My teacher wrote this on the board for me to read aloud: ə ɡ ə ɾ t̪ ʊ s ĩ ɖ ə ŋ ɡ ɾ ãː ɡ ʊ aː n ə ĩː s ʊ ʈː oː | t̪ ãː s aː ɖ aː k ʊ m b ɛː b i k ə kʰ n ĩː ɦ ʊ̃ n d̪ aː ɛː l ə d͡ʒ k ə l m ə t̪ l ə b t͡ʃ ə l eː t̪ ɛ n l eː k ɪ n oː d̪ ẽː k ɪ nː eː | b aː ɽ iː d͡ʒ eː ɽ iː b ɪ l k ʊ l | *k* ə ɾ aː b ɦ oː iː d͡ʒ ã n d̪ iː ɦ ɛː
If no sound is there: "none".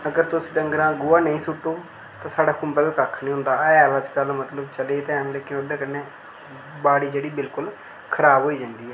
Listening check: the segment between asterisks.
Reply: kʰ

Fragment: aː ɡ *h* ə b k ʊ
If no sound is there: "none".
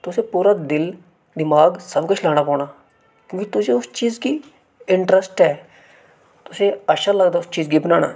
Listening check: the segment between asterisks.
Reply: s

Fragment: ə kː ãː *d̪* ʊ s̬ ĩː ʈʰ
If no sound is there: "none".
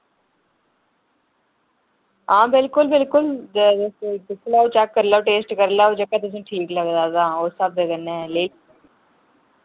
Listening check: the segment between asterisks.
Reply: t̪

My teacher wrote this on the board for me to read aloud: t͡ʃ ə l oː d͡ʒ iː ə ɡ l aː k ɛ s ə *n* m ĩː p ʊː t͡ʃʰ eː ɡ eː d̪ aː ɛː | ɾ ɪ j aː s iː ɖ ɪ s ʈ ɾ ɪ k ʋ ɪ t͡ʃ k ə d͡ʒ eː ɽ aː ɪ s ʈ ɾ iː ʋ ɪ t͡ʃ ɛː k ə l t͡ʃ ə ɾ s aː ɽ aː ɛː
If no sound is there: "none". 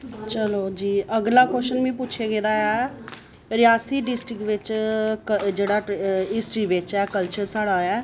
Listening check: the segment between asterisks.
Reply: n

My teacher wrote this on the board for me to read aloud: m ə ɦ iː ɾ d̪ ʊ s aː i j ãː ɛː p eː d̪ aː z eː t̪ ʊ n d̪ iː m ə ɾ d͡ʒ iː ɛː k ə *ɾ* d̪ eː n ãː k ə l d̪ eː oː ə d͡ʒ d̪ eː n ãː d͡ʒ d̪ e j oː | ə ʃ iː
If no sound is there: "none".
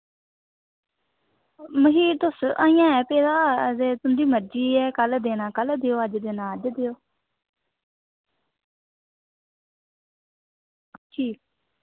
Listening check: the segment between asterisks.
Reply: l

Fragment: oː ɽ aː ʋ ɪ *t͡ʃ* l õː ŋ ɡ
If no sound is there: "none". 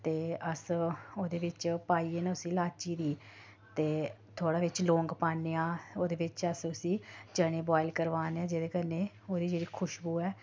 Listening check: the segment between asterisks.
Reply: t͡ʃ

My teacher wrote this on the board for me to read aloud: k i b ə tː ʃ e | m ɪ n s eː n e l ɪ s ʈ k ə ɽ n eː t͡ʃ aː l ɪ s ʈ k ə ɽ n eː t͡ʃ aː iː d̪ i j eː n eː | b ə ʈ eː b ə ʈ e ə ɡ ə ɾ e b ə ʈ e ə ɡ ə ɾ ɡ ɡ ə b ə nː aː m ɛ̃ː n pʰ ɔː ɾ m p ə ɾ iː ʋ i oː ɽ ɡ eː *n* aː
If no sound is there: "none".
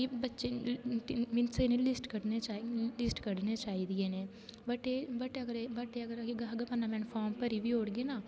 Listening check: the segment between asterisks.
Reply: n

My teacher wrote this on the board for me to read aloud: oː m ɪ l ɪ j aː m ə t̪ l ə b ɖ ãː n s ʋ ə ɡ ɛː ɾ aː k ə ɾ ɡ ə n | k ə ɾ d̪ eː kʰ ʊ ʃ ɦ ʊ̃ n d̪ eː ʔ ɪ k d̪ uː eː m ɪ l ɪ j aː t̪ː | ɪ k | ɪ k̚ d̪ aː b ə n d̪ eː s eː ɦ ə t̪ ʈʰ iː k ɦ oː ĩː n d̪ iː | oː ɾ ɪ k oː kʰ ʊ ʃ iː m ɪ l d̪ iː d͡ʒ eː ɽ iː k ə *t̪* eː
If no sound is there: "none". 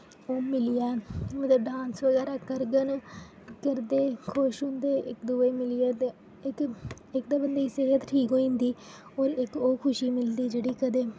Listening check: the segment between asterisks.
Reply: d̪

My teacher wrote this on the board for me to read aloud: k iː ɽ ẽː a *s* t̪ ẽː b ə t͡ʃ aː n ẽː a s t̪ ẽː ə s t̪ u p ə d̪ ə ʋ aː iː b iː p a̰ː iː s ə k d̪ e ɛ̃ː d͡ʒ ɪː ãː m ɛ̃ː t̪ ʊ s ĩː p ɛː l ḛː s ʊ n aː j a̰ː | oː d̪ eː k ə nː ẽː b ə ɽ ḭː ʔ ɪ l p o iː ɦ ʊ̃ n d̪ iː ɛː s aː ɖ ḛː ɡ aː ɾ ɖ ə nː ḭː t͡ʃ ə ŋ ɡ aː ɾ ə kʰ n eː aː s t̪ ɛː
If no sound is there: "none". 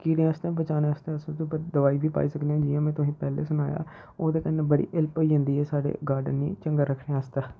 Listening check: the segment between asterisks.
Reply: s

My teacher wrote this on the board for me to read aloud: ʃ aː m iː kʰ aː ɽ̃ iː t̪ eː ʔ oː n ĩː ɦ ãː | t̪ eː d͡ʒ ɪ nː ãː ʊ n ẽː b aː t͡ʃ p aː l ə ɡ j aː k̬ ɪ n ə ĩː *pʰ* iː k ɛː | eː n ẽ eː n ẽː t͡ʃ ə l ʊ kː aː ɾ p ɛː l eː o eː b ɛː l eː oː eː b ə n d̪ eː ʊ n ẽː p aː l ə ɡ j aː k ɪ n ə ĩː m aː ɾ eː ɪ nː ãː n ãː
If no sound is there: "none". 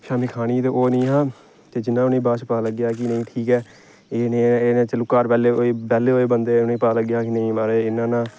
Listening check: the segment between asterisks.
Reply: ʈʰ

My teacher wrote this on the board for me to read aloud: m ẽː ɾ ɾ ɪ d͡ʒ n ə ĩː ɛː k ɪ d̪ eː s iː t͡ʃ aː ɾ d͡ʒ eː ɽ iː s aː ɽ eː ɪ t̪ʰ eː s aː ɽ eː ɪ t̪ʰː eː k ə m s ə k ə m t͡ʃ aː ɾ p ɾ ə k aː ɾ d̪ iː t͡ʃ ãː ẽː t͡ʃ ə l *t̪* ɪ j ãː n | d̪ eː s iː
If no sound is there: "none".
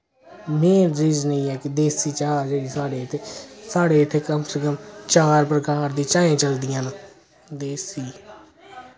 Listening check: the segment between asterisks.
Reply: d̪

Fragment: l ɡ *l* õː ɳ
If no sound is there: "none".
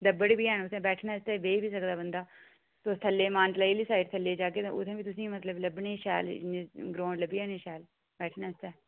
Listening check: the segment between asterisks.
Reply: ɾ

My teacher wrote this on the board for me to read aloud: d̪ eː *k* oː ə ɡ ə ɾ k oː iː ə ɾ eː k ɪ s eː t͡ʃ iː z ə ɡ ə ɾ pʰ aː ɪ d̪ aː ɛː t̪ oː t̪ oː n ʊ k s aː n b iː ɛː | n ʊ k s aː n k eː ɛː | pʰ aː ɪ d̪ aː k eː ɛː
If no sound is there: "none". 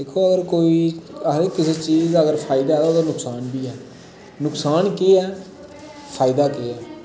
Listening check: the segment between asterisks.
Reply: kʰ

